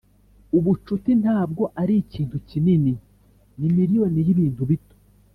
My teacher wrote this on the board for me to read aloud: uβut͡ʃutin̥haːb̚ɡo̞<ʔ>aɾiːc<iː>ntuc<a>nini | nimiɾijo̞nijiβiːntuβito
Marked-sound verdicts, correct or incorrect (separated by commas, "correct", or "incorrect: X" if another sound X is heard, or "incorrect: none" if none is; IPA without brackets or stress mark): correct, correct, incorrect: i